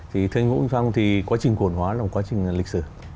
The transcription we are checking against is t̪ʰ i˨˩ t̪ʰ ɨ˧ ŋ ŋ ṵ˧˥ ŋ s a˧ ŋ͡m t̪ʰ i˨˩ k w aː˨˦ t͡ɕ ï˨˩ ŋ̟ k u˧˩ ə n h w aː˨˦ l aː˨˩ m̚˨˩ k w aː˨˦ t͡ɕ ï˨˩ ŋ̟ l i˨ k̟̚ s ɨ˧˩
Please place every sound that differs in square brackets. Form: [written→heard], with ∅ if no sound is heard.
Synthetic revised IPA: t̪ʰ i˨˩ t̪ʰ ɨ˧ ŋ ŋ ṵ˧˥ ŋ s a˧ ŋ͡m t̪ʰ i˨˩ k w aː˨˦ t͡ɕ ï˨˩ ŋ̟ k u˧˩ ə n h w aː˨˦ l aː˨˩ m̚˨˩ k w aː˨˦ t͡ɕ ï˨˩ ŋ̟ l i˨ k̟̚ s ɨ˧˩